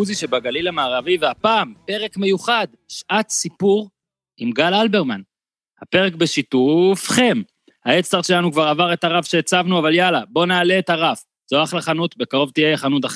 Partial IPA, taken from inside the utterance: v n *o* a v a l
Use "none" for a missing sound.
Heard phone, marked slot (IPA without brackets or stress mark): u